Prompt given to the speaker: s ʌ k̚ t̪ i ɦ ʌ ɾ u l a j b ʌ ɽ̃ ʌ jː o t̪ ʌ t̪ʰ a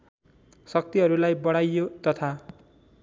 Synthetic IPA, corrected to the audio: s ʌ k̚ t̪ i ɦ ʌ ɾ u l a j b ʌ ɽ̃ a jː o t̪ ʌ t̪ʰ a